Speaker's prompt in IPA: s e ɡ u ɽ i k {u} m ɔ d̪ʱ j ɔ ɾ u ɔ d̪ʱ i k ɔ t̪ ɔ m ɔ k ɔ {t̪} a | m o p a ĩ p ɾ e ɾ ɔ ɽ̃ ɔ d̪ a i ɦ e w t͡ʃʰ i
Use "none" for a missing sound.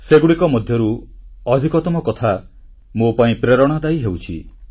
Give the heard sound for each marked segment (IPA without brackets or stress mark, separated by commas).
ɔ, t̪ʰ